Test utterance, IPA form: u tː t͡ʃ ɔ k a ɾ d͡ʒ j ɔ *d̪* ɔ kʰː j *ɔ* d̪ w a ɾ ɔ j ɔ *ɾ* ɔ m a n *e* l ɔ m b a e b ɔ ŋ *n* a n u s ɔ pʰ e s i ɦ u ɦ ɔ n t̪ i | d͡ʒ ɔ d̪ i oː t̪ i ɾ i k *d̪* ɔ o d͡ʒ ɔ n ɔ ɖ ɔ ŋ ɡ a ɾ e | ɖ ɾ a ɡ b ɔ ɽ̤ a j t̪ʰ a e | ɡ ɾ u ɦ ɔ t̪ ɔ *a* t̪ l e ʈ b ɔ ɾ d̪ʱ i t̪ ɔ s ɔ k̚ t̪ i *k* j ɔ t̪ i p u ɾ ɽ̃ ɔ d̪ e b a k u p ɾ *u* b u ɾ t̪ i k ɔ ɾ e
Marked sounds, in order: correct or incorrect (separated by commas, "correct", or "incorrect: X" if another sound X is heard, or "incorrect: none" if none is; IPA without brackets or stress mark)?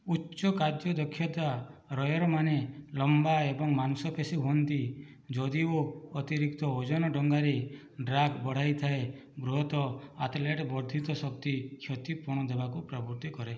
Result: correct, correct, correct, correct, incorrect: m, incorrect: t̪, correct, incorrect: kʰ, incorrect: ɔ